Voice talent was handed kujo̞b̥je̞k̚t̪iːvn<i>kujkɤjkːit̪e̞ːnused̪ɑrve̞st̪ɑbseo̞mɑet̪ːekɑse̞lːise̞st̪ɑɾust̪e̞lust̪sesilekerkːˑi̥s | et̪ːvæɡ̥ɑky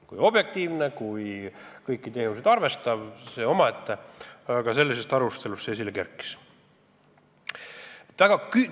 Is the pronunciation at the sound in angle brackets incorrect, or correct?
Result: incorrect